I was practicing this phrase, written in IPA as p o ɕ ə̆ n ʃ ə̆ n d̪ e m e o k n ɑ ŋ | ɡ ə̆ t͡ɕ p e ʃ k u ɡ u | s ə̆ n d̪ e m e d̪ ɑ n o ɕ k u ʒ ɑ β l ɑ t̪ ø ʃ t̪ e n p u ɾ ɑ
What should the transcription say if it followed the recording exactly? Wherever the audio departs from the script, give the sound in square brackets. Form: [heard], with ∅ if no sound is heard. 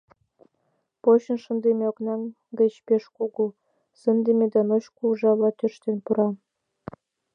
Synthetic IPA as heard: p o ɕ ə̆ n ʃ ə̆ n d̪ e m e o k n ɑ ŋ | ɡ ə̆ t͡ɕ p e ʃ k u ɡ u | s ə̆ n d̪ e m e d̪ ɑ n o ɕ k u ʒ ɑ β l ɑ t̪ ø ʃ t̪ e n p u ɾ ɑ